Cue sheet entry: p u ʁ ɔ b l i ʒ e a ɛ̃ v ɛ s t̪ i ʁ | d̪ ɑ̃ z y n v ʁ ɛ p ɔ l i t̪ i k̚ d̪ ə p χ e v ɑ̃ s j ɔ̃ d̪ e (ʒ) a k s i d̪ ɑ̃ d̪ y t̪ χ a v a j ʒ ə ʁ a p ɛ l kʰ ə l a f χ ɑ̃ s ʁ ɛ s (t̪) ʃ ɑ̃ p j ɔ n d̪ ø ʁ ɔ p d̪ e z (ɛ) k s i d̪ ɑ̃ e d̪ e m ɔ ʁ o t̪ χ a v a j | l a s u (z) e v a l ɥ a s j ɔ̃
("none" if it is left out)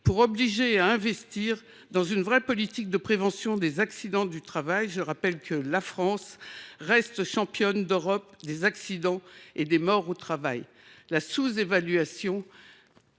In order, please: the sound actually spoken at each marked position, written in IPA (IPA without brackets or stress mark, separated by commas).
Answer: z, t̪, a, z